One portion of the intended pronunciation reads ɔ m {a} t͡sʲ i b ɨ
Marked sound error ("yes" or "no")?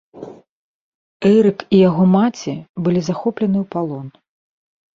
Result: no